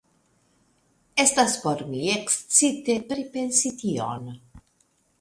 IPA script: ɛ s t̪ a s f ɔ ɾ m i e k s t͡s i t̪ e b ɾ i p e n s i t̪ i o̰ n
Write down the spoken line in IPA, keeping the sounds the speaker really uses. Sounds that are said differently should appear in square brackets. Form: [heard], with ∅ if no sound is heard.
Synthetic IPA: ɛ s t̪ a s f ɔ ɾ m i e k s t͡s i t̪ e [p] ɾ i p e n s i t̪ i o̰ n